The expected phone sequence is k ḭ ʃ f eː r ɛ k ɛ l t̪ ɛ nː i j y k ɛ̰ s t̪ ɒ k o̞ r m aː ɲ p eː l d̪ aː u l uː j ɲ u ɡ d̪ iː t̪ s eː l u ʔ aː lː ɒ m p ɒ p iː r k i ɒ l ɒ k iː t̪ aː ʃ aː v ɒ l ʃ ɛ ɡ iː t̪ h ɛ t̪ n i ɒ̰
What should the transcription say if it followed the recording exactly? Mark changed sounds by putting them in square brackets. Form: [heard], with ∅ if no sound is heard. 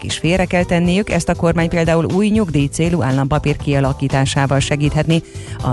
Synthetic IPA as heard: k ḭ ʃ f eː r ɛ k ɛ l t̪ ɛ nː i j y k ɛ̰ s t̪ ɒ k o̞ r m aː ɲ p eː l d̪ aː u l uː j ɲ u ɡ d̪ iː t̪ s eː l u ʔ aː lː ɒ m p ɒ p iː r k i ɒ l ɒ k iː t̪ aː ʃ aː v ɒ l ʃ ɛ ɡ iː t̪ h ɛ t̪ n i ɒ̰